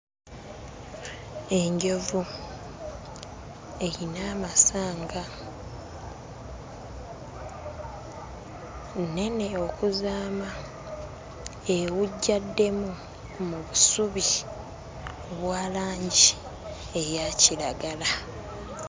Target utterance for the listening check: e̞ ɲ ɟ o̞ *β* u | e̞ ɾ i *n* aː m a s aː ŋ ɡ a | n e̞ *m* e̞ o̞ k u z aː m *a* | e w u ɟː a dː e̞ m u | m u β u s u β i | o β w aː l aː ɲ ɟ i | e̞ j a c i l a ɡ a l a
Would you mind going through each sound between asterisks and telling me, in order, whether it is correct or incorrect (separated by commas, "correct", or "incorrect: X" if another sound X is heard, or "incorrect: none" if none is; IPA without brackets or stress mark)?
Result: incorrect: v, correct, incorrect: n, correct